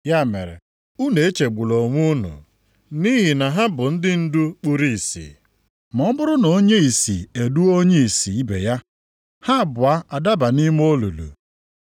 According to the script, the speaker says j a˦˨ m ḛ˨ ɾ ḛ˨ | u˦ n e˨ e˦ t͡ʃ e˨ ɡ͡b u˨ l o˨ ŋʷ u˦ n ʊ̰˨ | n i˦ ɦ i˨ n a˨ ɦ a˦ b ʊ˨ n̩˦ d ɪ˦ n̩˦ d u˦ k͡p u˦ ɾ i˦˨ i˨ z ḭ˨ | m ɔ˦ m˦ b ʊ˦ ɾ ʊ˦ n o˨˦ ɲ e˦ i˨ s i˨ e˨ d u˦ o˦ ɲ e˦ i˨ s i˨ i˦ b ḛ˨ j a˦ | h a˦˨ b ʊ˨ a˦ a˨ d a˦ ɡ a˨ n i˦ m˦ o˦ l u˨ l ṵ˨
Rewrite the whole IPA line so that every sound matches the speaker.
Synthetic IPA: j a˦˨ m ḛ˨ ɾ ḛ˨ | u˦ n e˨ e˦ t͡ʃ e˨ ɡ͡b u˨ l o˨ ŋʷ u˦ n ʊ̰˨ | n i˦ ɦ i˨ n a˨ ɦ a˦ b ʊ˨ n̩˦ d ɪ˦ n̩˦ d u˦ k͡p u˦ ɾ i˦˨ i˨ s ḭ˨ | m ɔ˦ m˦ b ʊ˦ ɾ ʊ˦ n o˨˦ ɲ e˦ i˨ s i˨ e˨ d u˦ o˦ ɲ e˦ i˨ s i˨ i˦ b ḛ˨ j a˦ | h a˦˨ b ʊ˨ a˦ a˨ d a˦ b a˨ n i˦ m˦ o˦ l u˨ l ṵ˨